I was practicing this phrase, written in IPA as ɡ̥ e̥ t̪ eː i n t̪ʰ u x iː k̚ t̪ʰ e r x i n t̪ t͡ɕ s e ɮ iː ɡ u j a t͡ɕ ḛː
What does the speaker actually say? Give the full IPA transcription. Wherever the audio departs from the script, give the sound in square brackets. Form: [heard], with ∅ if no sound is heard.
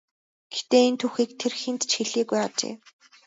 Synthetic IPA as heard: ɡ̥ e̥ t̪ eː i n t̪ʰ u x iː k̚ t̪ʰ e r x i n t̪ t͡ɕ [x] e ɮ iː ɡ u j a t͡ɕ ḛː